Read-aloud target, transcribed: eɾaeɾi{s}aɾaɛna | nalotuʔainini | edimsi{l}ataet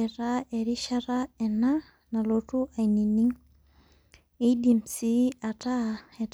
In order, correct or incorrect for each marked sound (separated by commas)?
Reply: incorrect, incorrect